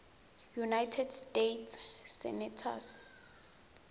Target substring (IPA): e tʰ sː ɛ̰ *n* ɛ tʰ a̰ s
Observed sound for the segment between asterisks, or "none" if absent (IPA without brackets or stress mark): n